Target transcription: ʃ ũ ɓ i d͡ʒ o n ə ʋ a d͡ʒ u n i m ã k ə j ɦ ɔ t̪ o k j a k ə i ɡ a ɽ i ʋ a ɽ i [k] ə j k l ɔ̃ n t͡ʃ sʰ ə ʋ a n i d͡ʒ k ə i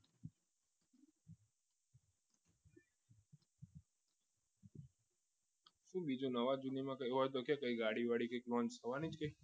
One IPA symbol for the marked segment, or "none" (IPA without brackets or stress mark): k